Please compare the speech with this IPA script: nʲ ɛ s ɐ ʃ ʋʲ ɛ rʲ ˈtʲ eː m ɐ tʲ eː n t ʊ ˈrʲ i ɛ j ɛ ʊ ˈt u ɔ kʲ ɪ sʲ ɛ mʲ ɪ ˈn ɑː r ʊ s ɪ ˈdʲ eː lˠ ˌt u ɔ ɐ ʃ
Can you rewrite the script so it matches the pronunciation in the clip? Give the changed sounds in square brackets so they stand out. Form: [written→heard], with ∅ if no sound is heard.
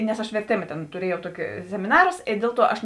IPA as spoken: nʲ ɛ s ɐ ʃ ʋʲ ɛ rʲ ˈtʲ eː m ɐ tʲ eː n t ʊ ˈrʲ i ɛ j ɛ ʊ ˈt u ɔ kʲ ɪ sʲ ɛ mʲ ɪ ˈn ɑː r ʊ s ɪ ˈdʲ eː lˠ ˌt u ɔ ɐ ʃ